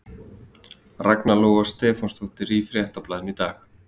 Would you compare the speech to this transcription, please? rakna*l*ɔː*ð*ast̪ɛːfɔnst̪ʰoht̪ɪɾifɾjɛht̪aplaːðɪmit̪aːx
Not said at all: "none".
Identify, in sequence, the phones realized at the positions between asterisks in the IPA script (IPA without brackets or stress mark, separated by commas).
l, ɣ